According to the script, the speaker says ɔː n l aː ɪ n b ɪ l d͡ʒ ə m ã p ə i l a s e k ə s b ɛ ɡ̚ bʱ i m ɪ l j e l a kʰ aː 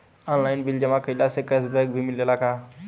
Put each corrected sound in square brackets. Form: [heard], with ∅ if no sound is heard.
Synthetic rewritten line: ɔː n l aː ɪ n b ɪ l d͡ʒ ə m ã [k] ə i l a s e k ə s b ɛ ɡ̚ bʱ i m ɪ l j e l a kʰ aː